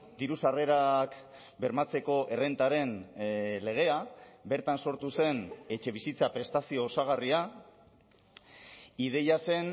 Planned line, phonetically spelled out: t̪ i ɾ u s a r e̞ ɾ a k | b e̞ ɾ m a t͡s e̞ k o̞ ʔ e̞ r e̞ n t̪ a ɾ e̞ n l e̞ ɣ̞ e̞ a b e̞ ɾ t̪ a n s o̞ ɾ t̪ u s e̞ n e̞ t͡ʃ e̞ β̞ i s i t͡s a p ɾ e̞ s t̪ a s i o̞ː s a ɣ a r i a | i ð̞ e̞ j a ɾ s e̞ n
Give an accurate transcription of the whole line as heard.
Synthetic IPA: d̪ i ɾ u s a r e̞ ɾ a k | b e̞ ɾ m a t͡s e̞ k o̞ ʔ e̞ r e̞ n t̪ a ɾ e̞ n l e̞ ɣ̞ e̞ a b e̞ ɾ t̪ a n s o̞ ɾ t̪ u s e̞ n e̞ t͡ʃ e̞ β̞ i s i t͡s a p ɾ e̞ s t̪ a s i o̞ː s a ɣ a r i a | i ð̞ e̞ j a s e̞ n